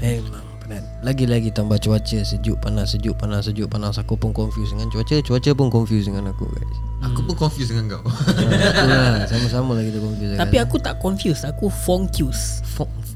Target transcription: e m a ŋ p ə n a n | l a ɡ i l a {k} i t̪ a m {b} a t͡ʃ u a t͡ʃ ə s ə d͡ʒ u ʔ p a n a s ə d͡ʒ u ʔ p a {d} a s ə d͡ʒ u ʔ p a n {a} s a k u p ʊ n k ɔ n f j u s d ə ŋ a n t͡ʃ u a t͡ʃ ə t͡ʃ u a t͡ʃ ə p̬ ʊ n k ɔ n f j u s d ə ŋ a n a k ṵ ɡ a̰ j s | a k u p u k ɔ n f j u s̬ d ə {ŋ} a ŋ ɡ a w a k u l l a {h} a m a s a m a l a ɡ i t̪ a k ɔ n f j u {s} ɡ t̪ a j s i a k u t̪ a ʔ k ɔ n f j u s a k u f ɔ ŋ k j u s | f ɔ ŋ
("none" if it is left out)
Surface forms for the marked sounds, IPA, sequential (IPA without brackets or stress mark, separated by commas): ɡ, b, n, a, ŋ, s, s